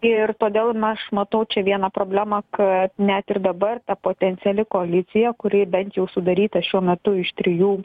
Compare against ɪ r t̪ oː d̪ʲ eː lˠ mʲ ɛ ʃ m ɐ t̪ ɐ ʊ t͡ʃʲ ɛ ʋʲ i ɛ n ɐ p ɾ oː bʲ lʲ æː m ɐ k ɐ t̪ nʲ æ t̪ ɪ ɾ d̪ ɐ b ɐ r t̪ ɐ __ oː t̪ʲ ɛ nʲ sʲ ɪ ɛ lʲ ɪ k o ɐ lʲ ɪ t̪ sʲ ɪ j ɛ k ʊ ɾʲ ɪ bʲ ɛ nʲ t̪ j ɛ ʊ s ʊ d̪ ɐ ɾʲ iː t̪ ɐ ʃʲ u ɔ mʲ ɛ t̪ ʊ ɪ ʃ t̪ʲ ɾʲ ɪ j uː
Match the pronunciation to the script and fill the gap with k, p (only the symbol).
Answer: p